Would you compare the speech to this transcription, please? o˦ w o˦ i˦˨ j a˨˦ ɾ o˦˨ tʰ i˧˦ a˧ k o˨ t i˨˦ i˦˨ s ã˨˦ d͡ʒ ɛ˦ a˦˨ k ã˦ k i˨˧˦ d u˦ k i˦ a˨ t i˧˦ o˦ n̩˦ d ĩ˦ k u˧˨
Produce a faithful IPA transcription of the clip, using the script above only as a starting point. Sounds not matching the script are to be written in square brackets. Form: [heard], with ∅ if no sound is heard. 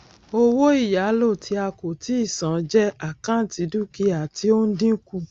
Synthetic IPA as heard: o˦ w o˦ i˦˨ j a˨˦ [l] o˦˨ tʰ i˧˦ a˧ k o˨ t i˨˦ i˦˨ s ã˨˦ d͡ʒ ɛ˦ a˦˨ k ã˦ [t] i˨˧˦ d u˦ k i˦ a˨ t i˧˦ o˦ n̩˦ d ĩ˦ k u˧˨